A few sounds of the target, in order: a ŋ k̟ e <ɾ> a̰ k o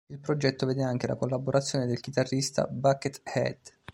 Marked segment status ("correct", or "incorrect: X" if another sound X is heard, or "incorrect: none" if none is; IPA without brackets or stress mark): incorrect: l